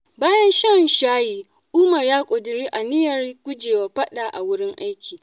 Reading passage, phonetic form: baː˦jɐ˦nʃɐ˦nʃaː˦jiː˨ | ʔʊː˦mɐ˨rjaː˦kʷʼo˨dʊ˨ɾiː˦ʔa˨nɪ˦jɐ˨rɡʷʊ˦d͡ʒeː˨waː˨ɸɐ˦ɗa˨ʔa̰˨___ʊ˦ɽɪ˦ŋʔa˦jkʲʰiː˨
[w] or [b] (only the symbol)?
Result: w